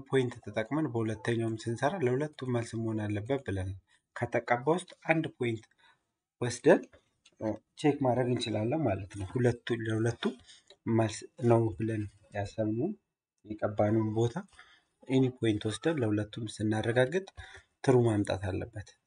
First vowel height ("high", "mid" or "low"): mid